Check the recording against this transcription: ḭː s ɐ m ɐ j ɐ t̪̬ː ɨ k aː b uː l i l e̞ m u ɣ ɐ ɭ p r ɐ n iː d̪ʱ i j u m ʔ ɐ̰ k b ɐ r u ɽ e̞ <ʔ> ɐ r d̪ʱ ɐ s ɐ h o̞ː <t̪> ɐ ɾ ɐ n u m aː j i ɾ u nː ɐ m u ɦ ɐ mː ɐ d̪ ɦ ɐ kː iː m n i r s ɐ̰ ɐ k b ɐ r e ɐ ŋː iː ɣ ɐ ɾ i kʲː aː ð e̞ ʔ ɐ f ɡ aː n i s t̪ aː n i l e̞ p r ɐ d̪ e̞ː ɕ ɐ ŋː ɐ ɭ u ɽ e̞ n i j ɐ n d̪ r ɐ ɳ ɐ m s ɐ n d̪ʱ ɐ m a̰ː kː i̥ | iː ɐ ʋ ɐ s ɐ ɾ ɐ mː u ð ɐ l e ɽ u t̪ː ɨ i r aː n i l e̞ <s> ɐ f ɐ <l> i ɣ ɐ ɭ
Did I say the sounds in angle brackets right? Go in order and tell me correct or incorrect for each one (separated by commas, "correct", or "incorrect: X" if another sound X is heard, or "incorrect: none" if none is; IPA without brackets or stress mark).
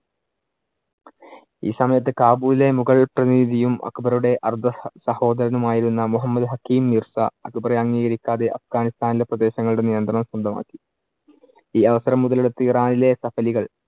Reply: correct, incorrect: d̪, correct, correct